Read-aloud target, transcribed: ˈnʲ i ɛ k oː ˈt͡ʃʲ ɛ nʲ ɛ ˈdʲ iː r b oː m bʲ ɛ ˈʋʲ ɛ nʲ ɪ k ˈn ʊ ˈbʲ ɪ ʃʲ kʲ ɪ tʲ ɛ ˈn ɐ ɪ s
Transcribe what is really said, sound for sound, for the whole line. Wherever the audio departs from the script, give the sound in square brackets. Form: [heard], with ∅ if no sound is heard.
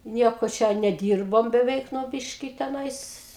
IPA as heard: ˈnʲ i ɛ k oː ˈt͡ʃʲ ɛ nʲ ɛ ˈdʲ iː r b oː m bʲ ɛ ˈʋʲ ɛ [∅] ɪ k ˈn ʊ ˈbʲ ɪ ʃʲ kʲ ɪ tʲ ɛ ˈn ɐ ɪ s